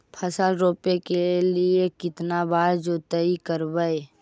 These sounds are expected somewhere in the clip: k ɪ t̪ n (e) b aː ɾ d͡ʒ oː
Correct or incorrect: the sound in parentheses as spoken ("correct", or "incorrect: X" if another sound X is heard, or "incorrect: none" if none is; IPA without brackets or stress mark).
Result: incorrect: a